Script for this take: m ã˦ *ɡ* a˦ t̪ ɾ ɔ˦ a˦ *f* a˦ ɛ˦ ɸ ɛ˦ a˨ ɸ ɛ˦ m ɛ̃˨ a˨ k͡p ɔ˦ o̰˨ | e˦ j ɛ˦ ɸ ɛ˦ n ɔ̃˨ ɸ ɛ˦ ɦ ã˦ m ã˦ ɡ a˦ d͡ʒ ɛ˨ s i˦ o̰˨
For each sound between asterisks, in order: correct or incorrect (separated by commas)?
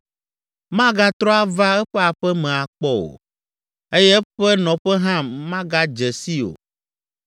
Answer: correct, incorrect